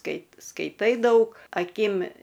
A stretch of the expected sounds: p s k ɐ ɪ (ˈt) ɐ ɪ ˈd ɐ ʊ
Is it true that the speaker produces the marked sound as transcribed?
yes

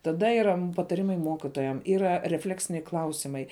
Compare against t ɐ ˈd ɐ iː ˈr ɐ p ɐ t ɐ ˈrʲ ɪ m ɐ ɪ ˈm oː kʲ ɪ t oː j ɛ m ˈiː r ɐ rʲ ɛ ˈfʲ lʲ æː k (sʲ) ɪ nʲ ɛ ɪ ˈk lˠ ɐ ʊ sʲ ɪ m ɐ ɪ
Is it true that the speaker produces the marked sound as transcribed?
yes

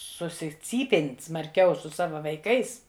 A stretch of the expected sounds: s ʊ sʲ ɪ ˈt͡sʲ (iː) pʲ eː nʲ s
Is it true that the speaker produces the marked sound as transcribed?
yes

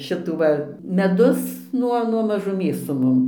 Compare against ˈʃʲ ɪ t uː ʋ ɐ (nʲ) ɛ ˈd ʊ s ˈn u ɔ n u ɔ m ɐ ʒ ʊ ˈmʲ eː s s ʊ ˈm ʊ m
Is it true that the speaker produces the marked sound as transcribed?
no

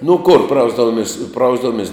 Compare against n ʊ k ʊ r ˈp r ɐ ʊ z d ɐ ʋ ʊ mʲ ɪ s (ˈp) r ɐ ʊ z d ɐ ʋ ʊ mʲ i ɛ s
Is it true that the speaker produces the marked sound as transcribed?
yes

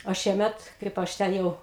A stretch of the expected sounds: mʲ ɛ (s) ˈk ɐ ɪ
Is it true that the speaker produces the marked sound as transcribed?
no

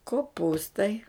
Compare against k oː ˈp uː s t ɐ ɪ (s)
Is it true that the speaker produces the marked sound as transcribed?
no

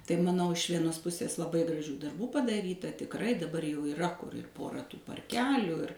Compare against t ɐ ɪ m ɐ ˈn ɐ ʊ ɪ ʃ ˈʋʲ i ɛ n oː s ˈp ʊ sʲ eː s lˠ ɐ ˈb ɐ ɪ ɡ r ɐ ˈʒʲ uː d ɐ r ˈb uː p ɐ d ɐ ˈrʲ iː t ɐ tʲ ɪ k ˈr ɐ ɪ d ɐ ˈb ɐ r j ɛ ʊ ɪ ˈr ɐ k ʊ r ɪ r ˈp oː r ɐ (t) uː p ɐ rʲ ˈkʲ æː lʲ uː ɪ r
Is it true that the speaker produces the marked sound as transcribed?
yes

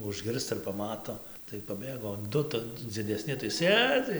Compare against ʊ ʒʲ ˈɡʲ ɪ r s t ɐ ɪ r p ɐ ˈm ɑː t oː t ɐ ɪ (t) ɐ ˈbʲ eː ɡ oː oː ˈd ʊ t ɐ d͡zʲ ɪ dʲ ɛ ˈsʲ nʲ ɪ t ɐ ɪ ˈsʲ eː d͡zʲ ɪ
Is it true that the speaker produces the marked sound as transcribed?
no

